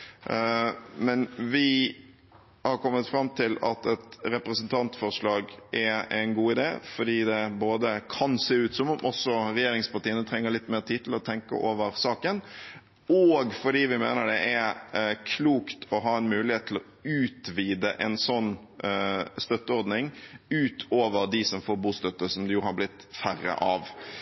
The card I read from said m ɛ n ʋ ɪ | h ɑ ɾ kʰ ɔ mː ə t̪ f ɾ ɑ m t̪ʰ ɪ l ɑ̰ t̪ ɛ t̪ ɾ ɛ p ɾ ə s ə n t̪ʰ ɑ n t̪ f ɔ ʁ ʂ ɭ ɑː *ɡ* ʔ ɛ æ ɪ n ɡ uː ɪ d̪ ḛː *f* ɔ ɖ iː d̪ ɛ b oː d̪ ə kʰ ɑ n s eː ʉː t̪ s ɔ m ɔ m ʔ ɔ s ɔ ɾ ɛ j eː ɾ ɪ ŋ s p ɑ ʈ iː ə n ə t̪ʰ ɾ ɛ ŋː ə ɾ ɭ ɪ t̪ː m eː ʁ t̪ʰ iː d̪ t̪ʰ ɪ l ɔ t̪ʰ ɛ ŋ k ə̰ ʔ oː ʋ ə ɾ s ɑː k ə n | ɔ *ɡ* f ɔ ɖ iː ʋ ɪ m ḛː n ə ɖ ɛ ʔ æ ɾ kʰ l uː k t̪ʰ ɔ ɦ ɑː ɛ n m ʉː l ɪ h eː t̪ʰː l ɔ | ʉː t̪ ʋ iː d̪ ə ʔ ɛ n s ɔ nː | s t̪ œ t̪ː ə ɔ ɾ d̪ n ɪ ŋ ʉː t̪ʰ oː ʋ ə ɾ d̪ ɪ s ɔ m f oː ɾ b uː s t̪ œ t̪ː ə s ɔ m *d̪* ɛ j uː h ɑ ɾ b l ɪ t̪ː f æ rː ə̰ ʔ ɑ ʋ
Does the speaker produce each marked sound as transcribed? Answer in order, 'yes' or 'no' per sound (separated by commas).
yes, yes, yes, yes